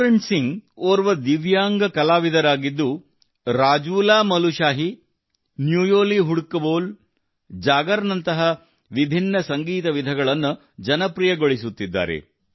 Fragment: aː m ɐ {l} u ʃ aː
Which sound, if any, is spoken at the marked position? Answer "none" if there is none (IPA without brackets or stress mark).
l